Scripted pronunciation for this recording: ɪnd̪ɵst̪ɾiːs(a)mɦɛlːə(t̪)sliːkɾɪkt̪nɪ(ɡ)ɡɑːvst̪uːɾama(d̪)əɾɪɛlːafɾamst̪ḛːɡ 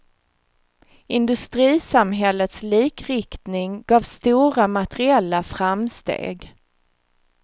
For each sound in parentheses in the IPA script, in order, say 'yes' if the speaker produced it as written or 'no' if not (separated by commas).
yes, yes, no, no